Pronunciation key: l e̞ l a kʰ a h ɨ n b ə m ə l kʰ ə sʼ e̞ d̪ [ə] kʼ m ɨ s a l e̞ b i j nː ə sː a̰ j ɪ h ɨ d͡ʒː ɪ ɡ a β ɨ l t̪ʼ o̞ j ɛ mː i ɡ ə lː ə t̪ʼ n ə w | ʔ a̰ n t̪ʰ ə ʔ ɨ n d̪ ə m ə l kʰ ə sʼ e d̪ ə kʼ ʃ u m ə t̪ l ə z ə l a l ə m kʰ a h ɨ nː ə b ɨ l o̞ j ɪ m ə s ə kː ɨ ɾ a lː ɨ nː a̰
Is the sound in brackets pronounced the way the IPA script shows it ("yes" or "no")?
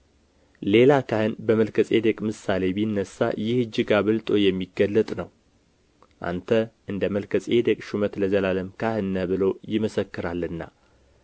yes